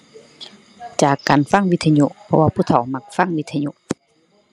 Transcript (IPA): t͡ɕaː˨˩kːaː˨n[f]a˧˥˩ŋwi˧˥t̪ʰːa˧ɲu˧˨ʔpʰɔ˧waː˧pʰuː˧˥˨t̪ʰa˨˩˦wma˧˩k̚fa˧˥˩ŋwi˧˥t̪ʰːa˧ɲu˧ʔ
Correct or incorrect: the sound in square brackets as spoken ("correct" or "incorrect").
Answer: correct